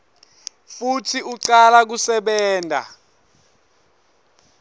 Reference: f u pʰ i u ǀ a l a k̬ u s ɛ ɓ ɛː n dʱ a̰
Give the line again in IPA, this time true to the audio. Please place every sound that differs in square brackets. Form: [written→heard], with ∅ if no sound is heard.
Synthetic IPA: f u [pʰ→tʰ] i u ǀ a l a k̬ u s ɛ ɓ ɛː n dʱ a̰